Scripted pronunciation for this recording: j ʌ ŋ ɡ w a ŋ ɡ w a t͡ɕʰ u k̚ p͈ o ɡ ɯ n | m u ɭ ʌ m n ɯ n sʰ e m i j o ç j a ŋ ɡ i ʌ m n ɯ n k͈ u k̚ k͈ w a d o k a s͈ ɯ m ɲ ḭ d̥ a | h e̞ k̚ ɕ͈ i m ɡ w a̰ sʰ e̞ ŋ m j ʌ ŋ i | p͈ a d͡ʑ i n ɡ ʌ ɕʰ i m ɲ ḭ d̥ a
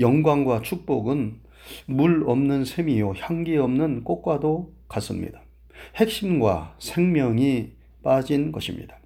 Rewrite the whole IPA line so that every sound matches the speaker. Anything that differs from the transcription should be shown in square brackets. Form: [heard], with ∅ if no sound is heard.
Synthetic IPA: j ʌ ŋ ɡ w a ŋ ɡ w a t͡ɕʰ u k̚ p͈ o ɡ ɯ n | m u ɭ ʌ m n ɯ n sʰ e m i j o ç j a ŋ ɡ i ʌ m n ɯ n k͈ [o] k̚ k͈ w a d o k a s͈ ɯ m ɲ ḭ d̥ a | h e̞ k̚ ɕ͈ i m ɡ w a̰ sʰ e̞ ŋ m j ʌ ŋ i | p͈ a d͡ʑ i n ɡ ʌ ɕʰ i m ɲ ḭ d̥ a